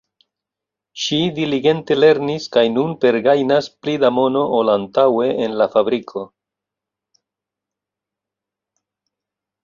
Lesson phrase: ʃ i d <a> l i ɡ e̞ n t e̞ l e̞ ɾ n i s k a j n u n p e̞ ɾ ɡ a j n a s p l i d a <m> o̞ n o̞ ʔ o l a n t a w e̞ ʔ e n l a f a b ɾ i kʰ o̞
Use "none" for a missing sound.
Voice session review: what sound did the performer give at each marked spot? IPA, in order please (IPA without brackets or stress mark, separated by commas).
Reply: i, m